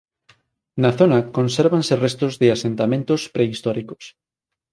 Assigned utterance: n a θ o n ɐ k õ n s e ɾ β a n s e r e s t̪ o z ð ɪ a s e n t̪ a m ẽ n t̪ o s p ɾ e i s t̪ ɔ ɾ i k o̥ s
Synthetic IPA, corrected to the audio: n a θ o n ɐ k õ n s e ɾ β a n s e r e s t̪ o z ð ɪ a s e n t̪ a m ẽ n t̪ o s p ɾ e i s t̪ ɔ ɾ i k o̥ s